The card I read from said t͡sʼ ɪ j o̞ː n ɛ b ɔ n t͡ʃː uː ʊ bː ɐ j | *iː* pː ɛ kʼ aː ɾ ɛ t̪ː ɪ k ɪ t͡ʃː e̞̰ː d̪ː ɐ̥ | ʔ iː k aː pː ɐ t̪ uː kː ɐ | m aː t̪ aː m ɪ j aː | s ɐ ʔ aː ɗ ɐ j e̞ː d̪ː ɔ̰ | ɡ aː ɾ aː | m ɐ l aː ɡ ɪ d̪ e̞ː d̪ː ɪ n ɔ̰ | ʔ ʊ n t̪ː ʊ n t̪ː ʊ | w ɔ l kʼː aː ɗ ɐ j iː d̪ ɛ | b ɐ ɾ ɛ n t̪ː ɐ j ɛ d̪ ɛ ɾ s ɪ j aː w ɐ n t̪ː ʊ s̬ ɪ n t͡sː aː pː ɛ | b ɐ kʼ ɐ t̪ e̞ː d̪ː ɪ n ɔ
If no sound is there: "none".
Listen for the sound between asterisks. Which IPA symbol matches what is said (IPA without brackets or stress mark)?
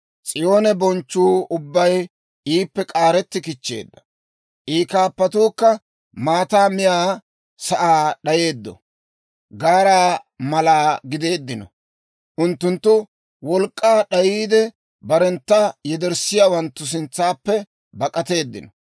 iː